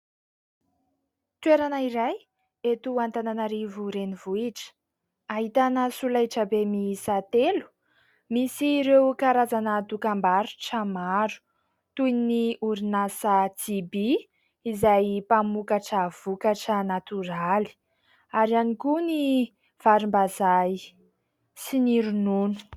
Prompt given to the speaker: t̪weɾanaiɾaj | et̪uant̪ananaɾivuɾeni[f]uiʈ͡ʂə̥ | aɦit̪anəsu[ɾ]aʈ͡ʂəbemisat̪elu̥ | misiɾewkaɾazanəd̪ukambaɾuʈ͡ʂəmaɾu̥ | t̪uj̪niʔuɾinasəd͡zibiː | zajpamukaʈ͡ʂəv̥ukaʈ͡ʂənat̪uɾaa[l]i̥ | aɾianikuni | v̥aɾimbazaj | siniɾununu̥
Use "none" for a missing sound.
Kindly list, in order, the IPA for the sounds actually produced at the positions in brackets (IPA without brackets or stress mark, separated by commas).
v, l, l